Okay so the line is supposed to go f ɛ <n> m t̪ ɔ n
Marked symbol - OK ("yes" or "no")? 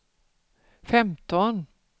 no